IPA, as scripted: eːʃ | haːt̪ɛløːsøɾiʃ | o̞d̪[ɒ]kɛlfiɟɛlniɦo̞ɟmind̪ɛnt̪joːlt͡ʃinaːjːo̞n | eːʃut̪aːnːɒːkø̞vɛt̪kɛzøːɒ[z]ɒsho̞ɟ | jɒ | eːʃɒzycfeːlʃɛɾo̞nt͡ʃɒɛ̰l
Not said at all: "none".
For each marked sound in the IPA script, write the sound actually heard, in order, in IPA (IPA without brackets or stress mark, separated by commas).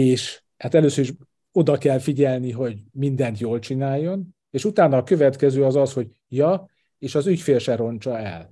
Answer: ɒ, z